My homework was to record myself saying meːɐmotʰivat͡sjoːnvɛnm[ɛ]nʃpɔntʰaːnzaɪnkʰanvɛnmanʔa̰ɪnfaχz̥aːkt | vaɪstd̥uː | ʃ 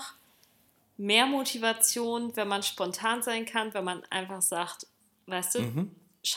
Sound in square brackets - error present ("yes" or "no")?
yes